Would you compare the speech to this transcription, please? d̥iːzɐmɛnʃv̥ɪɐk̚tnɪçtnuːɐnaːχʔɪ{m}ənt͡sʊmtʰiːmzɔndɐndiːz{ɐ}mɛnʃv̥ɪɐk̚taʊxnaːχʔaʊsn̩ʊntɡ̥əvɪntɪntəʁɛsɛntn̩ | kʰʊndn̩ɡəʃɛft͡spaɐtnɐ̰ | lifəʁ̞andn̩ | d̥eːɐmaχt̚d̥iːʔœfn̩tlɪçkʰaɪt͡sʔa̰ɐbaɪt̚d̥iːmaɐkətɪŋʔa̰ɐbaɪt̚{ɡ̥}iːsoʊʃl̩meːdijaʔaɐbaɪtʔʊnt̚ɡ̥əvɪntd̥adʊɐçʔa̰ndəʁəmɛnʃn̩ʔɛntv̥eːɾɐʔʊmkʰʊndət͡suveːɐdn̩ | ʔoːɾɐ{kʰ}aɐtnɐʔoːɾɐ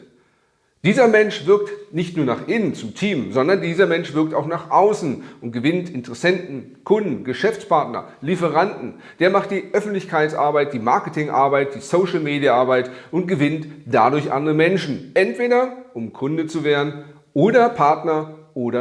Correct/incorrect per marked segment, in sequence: incorrect: n, correct, incorrect: d̥, incorrect: pʰ

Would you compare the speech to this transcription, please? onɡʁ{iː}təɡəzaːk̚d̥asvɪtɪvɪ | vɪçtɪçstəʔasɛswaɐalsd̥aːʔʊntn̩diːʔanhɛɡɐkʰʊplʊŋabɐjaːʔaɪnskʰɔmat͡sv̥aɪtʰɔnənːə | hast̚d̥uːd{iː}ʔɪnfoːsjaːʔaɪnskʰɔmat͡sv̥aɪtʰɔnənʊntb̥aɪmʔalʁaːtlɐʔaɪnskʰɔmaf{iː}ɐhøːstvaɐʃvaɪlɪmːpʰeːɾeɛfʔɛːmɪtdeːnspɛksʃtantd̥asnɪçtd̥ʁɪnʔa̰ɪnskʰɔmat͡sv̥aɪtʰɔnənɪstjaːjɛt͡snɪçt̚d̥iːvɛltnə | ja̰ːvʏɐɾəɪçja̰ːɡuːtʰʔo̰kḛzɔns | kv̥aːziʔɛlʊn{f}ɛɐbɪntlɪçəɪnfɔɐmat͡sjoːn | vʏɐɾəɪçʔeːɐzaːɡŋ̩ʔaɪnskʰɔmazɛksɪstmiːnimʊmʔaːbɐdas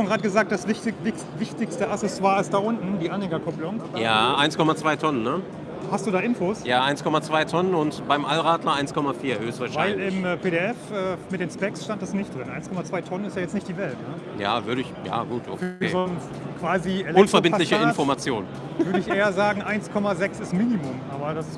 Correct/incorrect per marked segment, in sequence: incorrect: aː, incorrect: aː, correct, correct

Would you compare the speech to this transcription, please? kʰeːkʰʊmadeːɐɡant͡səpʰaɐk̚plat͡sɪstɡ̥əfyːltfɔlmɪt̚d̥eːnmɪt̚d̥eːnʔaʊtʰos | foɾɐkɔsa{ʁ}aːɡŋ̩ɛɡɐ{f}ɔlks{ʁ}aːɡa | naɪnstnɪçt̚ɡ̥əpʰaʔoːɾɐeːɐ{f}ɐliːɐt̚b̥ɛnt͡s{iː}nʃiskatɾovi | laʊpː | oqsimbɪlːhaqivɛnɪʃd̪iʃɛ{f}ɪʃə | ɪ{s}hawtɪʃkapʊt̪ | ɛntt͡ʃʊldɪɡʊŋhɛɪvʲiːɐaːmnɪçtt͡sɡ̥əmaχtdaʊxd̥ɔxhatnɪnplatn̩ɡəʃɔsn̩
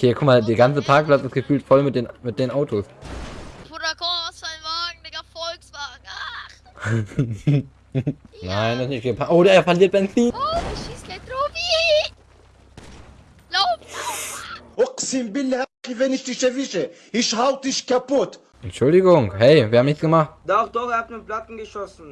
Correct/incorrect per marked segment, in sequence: incorrect: v, correct, incorrect: v, correct, correct, incorrect: v, incorrect: ʃ

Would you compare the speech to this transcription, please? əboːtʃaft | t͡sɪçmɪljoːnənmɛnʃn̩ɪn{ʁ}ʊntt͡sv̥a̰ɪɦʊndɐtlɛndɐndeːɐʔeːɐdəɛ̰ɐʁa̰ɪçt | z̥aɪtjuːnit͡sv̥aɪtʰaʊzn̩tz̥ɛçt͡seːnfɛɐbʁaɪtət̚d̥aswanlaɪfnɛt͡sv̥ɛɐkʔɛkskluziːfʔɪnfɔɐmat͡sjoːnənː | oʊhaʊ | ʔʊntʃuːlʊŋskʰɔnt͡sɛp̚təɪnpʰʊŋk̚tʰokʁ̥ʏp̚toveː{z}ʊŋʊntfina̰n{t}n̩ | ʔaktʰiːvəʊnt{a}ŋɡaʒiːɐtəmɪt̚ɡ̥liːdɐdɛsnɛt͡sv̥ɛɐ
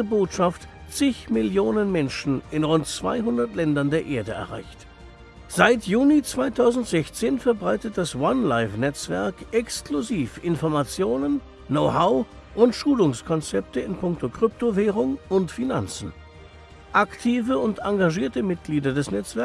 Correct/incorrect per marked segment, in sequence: correct, incorrect: ʁ, incorrect: t͡s, correct

